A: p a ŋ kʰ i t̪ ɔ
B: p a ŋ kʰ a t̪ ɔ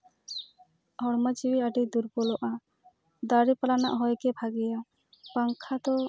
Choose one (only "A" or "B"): B